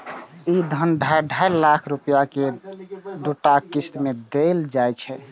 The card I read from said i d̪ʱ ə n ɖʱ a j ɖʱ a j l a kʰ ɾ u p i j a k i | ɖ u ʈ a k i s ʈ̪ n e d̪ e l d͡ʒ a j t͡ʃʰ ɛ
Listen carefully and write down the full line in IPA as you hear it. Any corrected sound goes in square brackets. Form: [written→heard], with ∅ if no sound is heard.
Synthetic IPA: i d̪ʱ ə n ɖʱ a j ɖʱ a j l a kʰ ɾ u p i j a k [i→e] | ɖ u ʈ a k i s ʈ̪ [n→m] e d̪ e l d͡ʒ a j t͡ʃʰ ɛ